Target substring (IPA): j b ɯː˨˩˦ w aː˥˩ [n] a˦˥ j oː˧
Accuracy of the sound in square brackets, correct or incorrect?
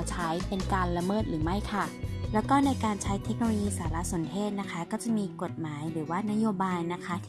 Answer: correct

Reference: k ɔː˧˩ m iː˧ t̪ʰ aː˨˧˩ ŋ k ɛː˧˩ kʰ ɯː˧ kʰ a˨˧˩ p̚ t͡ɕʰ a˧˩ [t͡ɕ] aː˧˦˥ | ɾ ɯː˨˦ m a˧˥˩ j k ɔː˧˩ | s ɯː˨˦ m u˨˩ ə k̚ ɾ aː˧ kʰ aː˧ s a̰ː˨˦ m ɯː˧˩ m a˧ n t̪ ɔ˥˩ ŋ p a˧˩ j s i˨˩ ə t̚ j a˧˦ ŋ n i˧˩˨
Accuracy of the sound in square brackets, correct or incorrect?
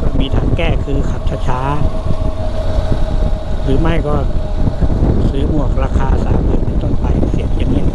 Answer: incorrect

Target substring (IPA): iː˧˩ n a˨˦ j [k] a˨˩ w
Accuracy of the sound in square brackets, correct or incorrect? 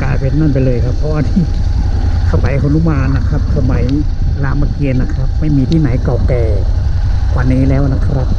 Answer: correct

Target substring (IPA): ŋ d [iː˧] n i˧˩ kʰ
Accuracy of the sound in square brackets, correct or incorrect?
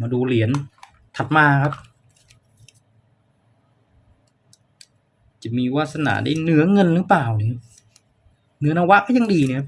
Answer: correct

